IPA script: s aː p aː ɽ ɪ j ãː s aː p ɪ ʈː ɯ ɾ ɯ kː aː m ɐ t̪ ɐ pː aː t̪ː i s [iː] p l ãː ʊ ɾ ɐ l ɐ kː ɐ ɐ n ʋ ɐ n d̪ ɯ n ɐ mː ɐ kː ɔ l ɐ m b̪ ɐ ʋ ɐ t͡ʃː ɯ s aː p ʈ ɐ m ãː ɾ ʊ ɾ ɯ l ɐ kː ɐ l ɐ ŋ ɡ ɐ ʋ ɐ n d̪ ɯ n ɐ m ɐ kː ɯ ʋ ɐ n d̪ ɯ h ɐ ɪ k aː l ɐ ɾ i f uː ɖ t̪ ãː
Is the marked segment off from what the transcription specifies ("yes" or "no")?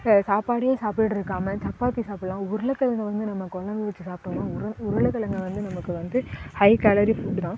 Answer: yes